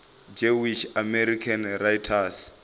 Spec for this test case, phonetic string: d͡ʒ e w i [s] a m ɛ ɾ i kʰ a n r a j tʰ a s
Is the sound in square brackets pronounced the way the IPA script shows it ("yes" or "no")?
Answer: no